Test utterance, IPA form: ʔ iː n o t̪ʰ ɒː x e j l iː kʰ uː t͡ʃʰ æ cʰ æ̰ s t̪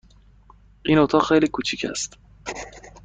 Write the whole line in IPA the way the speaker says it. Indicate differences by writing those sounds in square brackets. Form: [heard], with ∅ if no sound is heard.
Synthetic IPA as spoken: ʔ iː n o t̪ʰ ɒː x e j l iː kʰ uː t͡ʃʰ [i] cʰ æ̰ s t̪